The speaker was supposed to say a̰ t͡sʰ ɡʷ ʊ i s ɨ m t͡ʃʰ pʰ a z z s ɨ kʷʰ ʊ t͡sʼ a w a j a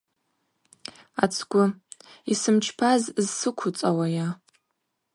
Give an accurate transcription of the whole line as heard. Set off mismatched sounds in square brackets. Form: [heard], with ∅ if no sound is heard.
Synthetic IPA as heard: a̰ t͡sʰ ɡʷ ʊ i s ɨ m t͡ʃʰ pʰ a z z s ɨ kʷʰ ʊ t͡sʼ a w a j a